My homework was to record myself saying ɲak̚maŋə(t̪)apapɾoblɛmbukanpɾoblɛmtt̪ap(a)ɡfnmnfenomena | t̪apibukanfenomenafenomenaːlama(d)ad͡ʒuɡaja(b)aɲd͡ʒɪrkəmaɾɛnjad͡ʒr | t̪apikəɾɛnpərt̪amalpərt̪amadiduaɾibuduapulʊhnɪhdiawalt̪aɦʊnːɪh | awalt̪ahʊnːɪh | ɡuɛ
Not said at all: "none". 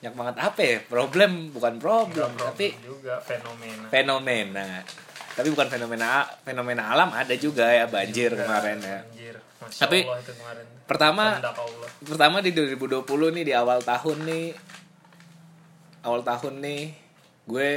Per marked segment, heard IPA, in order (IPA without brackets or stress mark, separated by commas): t̪, i, d, b